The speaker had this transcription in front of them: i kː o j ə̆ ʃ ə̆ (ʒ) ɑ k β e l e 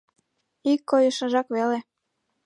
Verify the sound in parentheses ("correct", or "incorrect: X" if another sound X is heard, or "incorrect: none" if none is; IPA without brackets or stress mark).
correct